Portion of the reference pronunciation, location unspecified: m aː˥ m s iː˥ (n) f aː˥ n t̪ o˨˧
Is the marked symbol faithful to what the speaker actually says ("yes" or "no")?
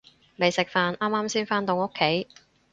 yes